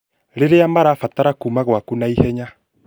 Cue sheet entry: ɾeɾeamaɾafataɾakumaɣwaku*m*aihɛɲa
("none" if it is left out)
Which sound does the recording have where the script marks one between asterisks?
n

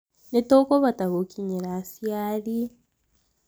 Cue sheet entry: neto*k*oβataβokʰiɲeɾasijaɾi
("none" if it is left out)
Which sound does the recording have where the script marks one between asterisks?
k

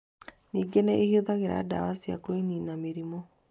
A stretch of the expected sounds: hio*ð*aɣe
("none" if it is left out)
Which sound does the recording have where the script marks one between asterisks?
ð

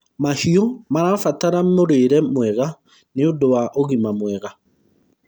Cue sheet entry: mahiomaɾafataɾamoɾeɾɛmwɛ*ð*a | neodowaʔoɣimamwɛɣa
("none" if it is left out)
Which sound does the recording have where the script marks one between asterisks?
ɣ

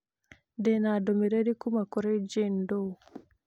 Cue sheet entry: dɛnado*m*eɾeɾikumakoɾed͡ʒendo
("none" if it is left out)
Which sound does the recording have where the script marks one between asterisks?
m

